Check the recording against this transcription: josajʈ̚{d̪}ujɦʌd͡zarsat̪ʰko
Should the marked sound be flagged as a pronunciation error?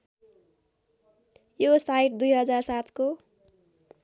no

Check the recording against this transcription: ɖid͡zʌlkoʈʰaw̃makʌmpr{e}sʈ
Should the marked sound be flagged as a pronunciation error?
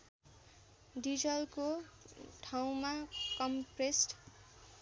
no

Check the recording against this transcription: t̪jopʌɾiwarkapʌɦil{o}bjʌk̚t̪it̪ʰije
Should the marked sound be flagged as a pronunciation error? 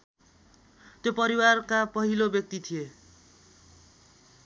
no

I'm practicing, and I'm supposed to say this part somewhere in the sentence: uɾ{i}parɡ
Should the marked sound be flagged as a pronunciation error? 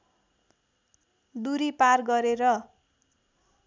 no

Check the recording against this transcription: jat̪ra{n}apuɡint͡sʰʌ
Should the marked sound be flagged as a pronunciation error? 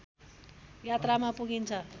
yes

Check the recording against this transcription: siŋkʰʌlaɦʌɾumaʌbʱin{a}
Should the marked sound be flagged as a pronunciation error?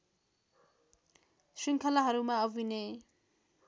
yes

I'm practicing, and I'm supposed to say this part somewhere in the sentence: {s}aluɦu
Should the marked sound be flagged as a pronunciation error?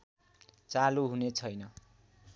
yes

